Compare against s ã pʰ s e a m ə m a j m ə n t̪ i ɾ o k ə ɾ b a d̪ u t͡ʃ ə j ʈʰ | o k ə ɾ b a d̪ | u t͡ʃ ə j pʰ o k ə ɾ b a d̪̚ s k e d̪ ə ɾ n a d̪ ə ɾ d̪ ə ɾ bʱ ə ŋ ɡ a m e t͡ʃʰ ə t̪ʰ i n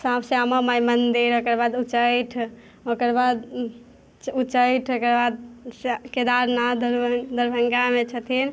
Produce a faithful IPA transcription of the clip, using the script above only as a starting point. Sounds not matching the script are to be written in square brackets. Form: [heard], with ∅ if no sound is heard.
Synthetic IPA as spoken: s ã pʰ s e a m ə m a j m ə n [d̪] i ɾ o k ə ɾ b a d̪ u t͡ʃ ə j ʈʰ | o k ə ɾ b a d̪ | u t͡ʃ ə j [ʈʰ] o k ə ɾ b a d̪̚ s k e d̪ [a] ɾ n a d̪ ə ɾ d̪ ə ɾ bʱ ə ŋ ɡ a m e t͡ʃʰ ə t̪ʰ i n